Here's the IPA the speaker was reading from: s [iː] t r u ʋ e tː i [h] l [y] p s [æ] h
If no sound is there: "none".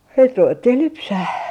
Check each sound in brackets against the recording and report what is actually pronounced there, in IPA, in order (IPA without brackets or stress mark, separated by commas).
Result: i, h, y, æ